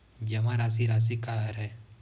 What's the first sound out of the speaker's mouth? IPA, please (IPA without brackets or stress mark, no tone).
d͡ʒ